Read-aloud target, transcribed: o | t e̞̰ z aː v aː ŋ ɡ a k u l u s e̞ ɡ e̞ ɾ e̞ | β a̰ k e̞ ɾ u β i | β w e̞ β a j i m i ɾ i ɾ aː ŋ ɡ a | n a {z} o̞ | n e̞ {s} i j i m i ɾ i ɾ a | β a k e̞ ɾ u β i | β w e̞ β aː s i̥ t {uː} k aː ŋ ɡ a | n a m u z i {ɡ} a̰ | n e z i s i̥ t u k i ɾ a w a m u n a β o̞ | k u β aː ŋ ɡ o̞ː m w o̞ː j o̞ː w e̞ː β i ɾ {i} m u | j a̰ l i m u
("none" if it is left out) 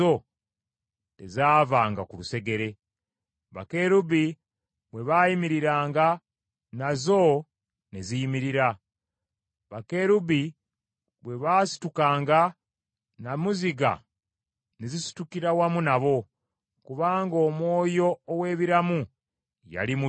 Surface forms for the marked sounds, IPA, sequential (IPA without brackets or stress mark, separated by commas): z, z, u, ɡ, a